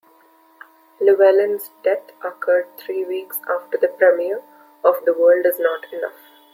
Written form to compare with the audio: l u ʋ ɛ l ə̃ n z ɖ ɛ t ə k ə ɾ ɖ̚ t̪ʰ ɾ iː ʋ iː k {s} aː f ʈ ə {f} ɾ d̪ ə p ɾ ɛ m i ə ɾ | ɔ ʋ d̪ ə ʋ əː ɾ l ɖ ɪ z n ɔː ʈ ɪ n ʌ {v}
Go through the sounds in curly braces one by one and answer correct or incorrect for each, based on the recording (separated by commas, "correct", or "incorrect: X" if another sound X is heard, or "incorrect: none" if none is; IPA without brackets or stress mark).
correct, incorrect: none, incorrect: f